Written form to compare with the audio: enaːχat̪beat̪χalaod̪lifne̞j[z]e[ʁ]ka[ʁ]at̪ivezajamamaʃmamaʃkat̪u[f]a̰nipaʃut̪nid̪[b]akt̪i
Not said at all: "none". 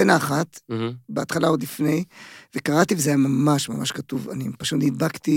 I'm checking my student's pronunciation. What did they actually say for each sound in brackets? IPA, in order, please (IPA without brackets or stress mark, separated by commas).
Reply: v, none, ʁ, v, b